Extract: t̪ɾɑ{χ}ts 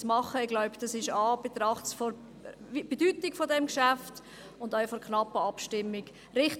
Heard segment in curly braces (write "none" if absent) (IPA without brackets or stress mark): χ